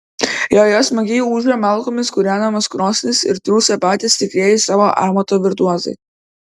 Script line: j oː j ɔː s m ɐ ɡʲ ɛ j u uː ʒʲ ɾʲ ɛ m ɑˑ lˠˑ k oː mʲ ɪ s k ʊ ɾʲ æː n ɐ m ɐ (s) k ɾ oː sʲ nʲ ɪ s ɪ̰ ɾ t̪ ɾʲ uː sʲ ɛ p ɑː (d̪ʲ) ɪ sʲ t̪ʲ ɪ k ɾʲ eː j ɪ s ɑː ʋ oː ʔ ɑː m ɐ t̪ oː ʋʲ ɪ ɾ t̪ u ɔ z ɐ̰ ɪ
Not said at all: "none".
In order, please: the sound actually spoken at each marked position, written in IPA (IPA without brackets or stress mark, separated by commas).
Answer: s, t̪ʲ